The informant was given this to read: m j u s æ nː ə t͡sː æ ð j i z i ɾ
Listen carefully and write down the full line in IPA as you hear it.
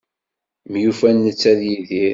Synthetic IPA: m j u f æ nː ə t͡sː æ ð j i ð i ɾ